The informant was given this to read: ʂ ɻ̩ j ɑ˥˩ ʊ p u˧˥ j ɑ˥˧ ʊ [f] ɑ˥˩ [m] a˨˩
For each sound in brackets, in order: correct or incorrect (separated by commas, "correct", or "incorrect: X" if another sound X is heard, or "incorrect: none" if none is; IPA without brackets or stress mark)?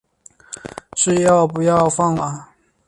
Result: correct, incorrect: ŋ